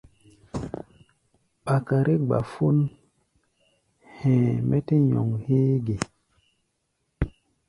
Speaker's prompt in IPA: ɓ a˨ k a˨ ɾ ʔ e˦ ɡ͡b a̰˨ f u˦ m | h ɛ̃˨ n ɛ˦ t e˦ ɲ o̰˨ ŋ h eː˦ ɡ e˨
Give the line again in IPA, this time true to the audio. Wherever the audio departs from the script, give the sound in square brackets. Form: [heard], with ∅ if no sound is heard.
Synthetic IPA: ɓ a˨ k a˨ ɾ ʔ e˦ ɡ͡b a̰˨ f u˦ [n] | h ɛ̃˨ [m] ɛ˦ t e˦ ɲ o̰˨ ŋ h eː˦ ɡ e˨